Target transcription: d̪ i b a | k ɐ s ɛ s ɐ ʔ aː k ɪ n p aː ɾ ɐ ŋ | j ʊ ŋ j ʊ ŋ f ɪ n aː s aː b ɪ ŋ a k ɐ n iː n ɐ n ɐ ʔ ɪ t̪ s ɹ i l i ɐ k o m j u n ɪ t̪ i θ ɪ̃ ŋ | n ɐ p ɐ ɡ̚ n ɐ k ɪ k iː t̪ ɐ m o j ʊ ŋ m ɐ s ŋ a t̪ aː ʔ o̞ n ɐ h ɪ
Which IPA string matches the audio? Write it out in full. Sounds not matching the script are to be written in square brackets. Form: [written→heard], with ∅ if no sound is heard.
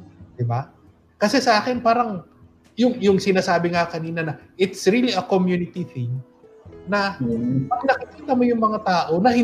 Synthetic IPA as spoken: d̪ [i→ɪ] b a | k ɐ s ɛ s ɐ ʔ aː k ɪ n p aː ɾ ɐ ŋ | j ʊ ŋ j ʊ ŋ [f→s] ɪ n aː s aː b ɪ ŋ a k ɐ n iː n ɐ n ɐ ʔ ɪ t̪ s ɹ i l i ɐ k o m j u n ɪ t̪ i θ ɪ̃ ŋ | n ɐ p ɐ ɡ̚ n ɐ k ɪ k iː t̪ ɐ m o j ʊ ŋ m ɐ [s→∅] ŋ a t̪ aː ʔ o̞ n ɐ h ɪ